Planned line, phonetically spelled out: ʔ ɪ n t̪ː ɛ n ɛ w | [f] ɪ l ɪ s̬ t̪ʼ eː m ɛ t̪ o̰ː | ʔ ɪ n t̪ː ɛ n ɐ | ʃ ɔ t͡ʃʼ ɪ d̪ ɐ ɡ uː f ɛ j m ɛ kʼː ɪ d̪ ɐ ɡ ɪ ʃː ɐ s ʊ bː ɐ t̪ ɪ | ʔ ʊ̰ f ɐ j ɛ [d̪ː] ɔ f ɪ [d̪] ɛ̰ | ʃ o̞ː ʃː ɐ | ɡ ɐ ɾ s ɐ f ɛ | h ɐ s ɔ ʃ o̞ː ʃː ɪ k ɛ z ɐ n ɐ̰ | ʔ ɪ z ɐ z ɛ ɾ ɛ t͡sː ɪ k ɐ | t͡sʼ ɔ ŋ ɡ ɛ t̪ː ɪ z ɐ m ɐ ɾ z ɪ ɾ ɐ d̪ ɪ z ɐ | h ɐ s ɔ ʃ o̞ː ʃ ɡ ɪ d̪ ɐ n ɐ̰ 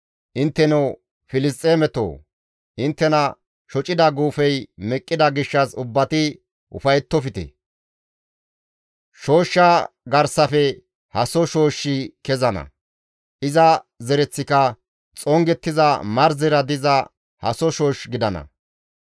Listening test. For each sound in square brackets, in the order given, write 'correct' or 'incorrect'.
correct, incorrect, incorrect

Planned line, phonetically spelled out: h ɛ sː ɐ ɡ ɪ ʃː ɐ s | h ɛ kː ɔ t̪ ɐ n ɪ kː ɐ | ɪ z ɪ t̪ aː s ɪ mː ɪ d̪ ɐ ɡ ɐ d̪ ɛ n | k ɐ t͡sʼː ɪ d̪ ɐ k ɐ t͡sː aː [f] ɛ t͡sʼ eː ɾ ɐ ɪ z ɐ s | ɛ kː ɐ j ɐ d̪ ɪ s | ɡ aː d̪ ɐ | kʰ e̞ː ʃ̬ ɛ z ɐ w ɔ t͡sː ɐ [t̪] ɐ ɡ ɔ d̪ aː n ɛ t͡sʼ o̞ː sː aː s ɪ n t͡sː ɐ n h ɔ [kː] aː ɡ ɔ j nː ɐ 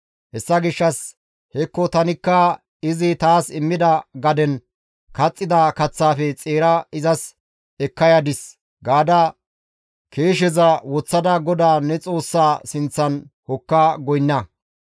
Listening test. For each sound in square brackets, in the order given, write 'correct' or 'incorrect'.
correct, incorrect, correct

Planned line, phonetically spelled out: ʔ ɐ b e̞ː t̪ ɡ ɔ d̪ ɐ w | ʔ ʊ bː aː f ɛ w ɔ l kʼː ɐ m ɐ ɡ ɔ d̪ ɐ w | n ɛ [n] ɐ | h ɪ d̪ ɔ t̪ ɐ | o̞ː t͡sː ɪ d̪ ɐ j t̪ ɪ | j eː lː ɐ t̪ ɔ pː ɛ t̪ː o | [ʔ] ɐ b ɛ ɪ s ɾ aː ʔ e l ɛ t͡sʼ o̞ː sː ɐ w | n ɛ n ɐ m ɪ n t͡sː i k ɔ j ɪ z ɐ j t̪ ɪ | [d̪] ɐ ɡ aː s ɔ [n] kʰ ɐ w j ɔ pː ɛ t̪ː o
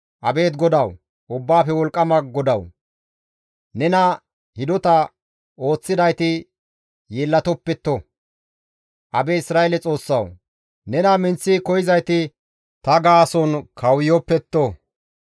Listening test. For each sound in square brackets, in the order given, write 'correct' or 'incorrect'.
correct, correct, incorrect, correct

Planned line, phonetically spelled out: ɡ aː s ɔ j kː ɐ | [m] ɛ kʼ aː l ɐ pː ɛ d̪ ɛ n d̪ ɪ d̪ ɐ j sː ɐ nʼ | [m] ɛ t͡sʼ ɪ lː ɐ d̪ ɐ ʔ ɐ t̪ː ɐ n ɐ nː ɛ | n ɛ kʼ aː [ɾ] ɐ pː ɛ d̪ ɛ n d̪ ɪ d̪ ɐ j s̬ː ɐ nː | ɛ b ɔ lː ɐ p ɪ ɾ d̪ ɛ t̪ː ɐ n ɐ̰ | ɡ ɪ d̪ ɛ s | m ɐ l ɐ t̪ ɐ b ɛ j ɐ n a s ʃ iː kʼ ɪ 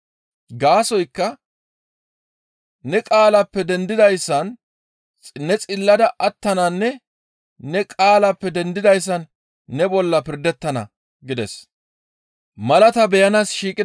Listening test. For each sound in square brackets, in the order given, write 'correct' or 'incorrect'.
incorrect, incorrect, incorrect

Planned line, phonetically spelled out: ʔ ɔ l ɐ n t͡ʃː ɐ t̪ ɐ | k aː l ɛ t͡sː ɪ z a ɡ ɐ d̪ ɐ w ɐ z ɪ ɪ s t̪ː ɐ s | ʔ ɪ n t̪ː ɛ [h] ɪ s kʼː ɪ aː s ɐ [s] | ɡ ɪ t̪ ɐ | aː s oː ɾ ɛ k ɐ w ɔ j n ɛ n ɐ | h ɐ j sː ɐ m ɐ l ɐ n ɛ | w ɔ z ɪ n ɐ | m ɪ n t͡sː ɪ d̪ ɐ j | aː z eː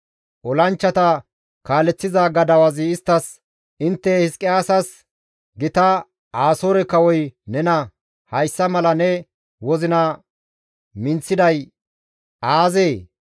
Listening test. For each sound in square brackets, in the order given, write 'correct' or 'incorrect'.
correct, correct

